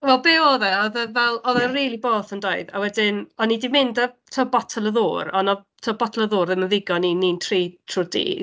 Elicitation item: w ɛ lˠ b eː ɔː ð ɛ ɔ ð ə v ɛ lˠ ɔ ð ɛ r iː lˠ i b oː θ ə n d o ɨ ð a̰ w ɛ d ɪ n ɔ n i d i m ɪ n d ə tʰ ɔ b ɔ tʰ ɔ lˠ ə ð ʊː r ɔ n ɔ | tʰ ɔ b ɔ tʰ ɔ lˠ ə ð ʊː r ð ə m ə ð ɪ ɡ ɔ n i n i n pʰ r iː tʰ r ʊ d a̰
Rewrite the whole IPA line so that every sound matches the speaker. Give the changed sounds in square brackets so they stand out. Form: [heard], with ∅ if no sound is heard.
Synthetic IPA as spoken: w ɛ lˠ b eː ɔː ð ɛ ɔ ð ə v ɛ lˠ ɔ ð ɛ r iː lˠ i b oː θ ə n d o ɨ ð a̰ w ɛ d ɪ n ɔ n i d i m ɪ n d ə tʰ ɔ b ɔ tʰ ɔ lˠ ə ð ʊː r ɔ n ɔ | tʰ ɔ b ɔ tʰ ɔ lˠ ə ð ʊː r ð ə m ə ð ɪ ɡ ɔ n i n i n [tʰ] r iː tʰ r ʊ d [ḭ]